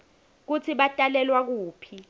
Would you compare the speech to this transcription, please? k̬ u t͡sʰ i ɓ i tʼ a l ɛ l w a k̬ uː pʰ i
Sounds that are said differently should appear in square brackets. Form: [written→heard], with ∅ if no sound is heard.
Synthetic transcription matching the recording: k̬ u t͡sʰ i ɓ [i→a] tʼ a l ɛ l w a k̬ uː pʰ i